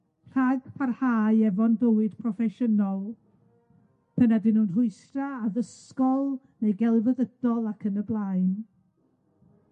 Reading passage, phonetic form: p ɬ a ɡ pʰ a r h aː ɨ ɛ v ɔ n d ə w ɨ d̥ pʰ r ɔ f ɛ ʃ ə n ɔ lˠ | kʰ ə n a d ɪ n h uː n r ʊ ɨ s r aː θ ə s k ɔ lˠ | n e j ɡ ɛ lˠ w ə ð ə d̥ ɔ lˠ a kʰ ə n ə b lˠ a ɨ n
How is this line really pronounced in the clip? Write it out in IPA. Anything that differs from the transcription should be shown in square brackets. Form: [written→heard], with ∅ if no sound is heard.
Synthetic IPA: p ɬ a ɡ pʰ a r h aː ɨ ɛ v ɔ n d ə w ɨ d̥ pʰ r ɔ f ɛ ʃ ə n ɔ lˠ | [kʰ→pʰ] ə n a d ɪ n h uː n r ʊ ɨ s r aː [θ→ð] ə s k ɔ lˠ | n e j ɡ ɛ lˠ [w→v] ə ð ə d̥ ɔ lˠ a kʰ ə n ə b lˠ a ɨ n